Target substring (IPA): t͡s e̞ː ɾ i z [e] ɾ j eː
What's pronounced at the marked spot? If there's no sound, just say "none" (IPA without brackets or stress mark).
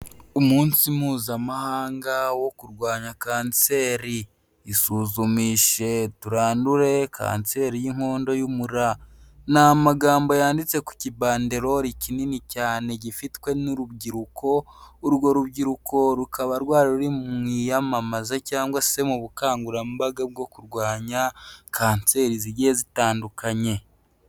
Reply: i